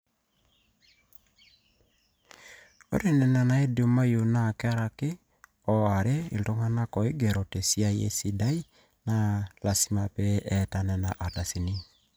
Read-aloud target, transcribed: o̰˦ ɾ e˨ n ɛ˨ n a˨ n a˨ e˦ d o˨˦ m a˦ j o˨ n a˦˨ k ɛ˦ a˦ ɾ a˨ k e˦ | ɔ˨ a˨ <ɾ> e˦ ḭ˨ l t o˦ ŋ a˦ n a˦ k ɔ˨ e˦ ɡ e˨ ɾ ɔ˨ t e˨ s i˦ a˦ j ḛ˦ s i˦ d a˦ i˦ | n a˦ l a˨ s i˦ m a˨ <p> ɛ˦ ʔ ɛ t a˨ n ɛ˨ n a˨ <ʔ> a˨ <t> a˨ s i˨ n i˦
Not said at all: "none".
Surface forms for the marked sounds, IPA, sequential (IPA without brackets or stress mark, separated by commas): ɾ, p, ʔ, t